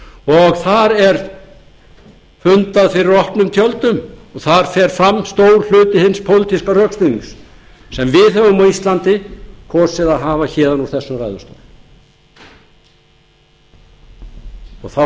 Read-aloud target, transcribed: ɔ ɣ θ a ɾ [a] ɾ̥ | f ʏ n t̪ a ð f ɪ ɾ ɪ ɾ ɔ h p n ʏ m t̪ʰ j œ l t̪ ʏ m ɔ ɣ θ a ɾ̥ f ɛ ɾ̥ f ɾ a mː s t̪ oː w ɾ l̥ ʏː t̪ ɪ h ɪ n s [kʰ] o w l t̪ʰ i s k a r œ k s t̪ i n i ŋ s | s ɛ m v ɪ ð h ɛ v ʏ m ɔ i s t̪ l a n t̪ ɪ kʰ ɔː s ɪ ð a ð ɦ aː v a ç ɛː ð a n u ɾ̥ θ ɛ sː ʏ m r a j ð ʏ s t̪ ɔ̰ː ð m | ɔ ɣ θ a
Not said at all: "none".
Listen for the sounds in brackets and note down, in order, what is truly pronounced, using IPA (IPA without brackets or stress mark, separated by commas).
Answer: ɛ, pʰ